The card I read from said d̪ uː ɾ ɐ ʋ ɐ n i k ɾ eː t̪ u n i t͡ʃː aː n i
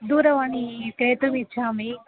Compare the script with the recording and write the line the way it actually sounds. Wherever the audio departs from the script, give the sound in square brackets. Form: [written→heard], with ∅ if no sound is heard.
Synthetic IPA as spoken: d̪ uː ɾ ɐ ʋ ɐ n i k ɾ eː t̪ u [n→m] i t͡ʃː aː [n→m] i